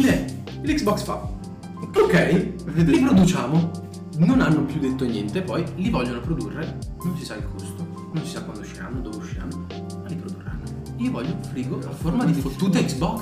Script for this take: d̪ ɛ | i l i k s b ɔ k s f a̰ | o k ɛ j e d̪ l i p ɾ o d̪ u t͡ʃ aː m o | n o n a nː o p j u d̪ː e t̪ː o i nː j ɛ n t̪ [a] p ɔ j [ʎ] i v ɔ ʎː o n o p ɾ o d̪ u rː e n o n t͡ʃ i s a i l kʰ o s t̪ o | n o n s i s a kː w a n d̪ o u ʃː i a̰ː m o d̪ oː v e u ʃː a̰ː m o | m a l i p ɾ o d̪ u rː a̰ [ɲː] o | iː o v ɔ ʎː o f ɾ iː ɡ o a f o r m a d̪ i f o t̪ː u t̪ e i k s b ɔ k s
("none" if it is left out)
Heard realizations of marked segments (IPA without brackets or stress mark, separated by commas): e, l, nː